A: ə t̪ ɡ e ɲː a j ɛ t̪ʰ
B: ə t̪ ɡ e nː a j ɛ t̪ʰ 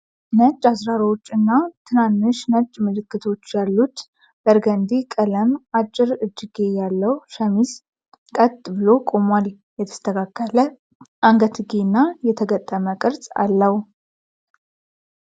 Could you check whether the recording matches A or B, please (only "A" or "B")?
B